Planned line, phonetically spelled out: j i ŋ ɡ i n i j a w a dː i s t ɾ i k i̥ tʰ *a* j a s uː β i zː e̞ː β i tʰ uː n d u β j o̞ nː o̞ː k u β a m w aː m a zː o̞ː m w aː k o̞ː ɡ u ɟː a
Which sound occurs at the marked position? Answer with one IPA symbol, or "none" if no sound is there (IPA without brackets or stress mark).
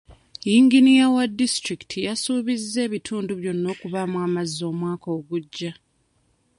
i